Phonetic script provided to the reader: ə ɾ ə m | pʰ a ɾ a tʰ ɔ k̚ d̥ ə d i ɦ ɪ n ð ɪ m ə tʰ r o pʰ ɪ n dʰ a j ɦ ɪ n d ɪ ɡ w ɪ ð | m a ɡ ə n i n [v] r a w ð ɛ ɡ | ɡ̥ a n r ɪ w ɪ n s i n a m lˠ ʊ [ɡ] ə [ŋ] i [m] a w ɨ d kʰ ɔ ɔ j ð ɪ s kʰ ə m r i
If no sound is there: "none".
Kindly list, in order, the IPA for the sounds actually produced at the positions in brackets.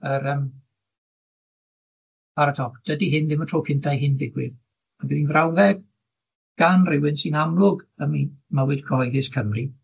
v, ɡ, m, m

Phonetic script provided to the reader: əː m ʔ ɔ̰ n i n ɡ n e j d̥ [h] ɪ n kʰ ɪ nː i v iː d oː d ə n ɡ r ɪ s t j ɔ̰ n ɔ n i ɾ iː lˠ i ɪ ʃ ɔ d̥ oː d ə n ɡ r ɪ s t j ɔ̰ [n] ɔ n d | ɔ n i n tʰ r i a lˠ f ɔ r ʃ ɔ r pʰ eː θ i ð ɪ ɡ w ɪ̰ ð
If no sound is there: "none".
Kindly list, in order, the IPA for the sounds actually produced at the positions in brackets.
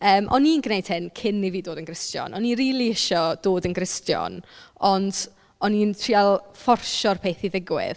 h, n

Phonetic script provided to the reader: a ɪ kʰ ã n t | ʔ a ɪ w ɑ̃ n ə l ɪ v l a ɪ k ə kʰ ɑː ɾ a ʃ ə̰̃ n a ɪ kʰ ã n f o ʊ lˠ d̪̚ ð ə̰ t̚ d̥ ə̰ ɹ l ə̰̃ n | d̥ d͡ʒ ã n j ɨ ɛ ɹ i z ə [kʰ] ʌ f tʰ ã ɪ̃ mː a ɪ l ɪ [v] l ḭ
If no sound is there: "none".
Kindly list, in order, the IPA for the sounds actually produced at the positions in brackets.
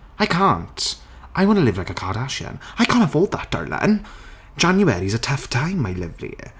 tʰ, v

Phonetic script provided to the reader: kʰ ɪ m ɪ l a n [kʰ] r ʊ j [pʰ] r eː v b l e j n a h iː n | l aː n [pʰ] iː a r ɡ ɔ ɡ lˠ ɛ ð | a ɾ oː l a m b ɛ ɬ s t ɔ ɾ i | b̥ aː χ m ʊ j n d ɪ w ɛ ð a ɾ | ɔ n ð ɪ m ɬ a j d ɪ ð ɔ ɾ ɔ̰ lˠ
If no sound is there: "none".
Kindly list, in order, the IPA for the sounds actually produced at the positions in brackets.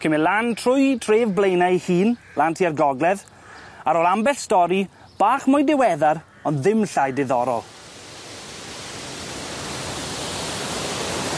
tʰ, tʰ, tʰ

